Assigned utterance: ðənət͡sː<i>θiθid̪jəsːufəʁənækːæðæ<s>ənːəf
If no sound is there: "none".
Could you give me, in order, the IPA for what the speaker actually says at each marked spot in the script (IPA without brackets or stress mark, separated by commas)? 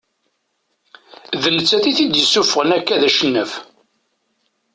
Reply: æ, ʃ